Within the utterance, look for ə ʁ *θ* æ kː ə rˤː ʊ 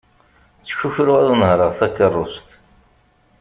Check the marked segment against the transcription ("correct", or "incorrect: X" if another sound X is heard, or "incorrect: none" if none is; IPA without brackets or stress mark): correct